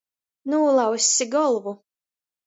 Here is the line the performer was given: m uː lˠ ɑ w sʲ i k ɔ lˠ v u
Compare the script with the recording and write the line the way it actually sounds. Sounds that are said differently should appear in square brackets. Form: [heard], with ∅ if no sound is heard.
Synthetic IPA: [n] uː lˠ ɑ w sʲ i [ɡ] ɔ lˠ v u